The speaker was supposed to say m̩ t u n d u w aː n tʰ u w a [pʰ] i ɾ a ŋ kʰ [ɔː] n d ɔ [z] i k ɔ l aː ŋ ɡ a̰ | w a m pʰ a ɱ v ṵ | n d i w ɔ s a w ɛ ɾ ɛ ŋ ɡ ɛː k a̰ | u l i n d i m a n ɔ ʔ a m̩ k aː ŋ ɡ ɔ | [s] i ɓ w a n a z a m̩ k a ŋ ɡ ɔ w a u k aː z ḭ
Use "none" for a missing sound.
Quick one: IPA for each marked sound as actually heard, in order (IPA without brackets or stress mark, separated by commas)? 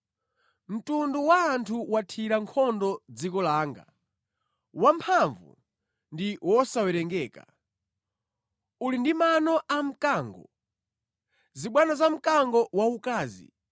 tʰ, ɔ, d͡z, z